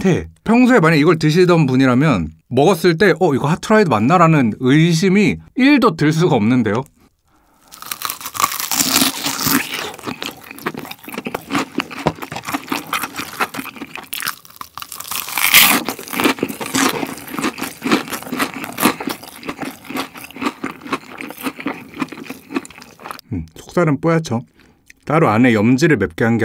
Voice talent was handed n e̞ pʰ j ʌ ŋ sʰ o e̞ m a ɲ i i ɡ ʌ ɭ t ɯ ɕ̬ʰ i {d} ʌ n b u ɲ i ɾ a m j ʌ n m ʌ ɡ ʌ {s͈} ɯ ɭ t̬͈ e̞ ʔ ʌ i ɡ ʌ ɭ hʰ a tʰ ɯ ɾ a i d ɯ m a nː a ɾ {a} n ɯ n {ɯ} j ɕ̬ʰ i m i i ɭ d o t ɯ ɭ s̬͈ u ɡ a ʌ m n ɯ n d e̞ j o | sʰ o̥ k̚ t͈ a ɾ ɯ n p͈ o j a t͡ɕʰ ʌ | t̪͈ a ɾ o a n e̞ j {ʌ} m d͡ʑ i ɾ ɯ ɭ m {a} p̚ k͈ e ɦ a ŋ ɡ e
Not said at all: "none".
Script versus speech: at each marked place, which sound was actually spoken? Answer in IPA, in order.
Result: d, s͈, a, ɯ, ʌ, e

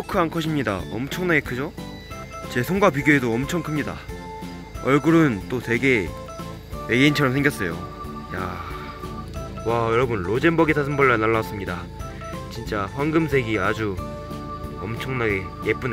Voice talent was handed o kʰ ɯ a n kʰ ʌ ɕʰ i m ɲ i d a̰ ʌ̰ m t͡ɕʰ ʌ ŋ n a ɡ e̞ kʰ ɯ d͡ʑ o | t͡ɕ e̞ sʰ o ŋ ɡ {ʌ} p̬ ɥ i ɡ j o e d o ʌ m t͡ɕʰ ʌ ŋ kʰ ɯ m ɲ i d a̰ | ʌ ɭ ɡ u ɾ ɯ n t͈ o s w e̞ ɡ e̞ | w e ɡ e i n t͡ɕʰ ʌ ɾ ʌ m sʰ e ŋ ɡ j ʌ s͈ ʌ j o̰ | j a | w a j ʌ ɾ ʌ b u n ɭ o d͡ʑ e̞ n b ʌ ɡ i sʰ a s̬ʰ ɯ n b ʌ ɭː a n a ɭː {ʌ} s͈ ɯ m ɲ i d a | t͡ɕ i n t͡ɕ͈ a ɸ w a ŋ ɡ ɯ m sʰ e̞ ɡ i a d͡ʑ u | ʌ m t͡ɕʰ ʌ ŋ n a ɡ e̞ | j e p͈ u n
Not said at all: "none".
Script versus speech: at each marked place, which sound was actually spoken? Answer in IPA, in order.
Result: a, a

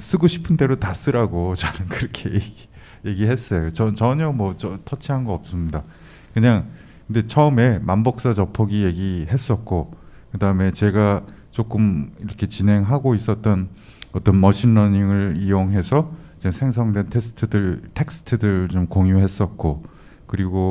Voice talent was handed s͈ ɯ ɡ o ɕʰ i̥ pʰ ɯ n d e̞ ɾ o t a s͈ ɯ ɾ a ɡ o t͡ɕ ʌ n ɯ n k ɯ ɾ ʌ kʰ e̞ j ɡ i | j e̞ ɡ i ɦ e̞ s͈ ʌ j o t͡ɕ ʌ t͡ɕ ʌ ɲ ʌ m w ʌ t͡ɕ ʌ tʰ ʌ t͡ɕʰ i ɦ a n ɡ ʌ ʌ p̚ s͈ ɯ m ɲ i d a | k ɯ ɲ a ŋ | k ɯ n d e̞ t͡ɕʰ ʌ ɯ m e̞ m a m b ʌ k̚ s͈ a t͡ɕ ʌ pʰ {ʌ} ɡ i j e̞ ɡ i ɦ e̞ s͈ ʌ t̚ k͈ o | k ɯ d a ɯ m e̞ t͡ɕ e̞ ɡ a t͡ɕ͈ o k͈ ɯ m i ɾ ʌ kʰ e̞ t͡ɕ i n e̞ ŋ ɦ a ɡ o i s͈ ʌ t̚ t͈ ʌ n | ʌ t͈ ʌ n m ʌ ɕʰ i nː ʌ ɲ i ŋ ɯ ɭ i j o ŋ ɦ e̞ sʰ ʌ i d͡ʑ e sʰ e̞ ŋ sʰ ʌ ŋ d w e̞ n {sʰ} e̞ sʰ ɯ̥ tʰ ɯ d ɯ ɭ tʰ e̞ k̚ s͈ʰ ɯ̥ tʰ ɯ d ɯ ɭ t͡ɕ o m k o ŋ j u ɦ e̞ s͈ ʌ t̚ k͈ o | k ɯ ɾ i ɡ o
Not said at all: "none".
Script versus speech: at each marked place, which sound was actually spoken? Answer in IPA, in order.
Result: ʌ, tʰ

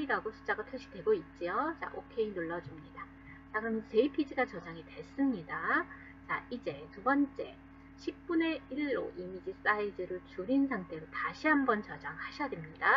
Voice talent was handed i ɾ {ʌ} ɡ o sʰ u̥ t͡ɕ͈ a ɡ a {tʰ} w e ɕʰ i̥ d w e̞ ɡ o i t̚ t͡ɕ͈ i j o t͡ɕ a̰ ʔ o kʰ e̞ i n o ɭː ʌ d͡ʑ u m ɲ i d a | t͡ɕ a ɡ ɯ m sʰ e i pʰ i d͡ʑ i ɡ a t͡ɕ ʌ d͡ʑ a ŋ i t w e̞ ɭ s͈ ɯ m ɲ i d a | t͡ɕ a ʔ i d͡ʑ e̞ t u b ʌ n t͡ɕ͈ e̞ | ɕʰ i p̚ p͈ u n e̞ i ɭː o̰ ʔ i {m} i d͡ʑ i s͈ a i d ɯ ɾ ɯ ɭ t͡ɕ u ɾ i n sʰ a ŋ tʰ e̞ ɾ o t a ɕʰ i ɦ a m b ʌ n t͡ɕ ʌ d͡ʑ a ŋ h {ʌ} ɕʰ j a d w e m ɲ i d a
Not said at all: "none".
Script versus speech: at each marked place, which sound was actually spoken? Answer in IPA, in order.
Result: a, tʰ, m, a

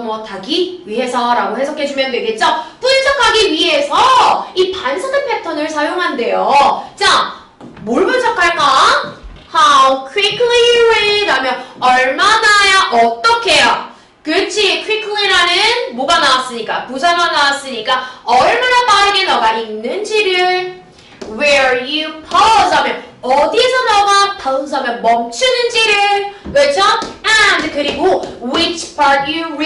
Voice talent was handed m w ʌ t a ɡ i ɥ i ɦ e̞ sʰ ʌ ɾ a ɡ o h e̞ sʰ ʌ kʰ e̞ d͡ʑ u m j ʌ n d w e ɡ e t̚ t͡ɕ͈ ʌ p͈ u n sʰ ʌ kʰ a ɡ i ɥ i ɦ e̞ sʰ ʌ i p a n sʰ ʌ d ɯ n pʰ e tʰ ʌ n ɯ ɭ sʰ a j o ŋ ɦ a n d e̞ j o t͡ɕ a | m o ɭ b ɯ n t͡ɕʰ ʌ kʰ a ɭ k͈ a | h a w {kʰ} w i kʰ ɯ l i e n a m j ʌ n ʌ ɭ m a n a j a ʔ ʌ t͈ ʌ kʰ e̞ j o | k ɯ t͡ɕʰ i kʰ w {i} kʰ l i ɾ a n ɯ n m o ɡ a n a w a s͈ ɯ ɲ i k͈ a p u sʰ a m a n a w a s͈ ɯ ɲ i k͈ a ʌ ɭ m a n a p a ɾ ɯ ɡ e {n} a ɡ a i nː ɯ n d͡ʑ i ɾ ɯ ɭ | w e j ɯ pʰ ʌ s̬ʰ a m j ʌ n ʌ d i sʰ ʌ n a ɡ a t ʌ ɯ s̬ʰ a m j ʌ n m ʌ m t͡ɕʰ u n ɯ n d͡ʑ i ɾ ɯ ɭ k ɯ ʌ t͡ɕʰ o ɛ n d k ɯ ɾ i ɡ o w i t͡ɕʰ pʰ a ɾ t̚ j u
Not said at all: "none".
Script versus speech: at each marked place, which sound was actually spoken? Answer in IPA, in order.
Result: kʰ, i, n

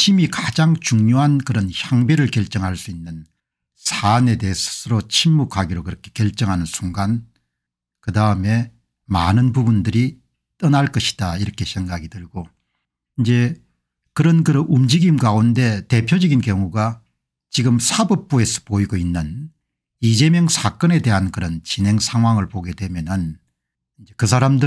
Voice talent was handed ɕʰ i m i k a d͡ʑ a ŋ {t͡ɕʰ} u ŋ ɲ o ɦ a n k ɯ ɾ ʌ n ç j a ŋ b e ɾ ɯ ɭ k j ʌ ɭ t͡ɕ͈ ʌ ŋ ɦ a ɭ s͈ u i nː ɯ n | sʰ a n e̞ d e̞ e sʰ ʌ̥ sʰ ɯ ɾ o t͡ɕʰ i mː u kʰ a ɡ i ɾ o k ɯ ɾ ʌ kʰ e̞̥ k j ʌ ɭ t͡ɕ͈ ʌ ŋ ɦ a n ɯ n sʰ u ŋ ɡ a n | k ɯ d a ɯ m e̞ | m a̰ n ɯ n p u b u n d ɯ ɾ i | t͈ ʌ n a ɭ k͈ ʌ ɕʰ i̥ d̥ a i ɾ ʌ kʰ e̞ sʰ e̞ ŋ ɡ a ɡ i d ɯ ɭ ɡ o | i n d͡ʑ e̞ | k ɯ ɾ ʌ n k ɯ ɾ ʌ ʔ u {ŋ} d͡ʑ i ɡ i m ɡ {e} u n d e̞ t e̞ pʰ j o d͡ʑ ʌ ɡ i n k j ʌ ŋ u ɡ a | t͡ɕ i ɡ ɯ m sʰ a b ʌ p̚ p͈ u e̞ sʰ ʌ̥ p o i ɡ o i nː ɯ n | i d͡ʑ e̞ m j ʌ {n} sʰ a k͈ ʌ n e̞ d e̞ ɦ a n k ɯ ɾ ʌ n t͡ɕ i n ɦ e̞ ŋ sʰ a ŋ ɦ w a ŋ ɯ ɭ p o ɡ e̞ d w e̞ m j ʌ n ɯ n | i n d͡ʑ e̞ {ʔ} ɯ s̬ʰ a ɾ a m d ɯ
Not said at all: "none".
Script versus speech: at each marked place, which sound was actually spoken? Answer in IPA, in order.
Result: t͡ɕ, m, a, ŋ, k

